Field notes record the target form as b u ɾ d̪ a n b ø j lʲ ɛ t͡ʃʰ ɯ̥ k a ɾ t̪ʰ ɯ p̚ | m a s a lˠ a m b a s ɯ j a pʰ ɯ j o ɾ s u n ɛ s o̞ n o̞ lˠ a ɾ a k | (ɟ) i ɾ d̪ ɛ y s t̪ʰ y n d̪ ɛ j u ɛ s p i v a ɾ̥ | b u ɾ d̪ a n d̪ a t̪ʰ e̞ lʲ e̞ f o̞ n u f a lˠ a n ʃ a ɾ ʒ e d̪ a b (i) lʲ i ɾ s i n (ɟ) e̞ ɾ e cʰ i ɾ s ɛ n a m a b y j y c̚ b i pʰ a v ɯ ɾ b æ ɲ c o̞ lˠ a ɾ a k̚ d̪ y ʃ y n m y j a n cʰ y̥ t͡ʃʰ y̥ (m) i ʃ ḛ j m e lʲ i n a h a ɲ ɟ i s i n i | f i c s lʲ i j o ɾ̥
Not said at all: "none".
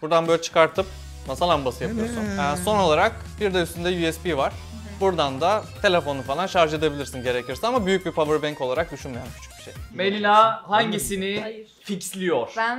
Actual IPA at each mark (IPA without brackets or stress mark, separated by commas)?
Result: b, i, ɟ, b